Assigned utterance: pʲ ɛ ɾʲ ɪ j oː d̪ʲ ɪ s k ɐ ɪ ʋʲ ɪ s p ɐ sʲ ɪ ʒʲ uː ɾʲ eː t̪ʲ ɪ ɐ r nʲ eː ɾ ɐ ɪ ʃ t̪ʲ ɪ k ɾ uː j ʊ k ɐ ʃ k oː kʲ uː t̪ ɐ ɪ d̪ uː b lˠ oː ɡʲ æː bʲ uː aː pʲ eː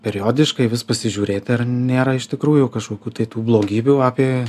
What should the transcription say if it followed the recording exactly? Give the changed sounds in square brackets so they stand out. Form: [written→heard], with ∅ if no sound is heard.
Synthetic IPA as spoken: pʲ ɛ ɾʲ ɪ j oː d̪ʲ ɪ [s→ʃ] k ɐ ɪ ʋʲ ɪ s p ɐ sʲ ɪ ʒʲ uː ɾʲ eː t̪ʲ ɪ ɐ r nʲ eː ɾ ɐ ɪ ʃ t̪ʲ ɪ k ɾ uː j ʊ k ɐ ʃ k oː kʲ uː t̪ ɐ ɪ [d̪→t̪] uː b lˠ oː ɡʲ [æː→iː] bʲ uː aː pʲ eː